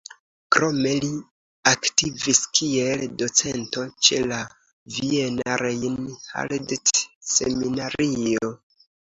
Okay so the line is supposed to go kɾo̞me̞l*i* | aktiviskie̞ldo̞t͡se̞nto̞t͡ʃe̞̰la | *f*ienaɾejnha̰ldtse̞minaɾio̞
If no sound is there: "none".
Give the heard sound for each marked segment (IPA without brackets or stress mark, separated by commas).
i, v